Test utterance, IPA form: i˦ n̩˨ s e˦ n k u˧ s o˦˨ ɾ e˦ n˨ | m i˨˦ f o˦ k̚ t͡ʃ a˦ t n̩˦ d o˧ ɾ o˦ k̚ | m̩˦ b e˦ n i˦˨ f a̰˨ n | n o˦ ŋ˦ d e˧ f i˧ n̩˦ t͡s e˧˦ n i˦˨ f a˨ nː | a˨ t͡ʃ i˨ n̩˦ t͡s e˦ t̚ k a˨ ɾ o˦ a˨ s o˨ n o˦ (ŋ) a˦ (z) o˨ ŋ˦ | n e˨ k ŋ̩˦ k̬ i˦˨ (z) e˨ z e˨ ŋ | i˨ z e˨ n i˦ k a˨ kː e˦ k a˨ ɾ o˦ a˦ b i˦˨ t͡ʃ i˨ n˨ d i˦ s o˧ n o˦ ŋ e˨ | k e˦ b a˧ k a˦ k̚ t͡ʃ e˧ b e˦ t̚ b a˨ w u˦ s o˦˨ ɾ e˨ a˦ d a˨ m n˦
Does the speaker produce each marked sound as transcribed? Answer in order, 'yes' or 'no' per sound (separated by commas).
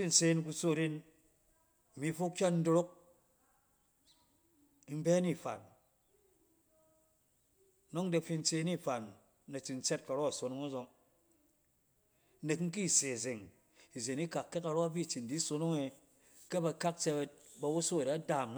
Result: yes, yes, no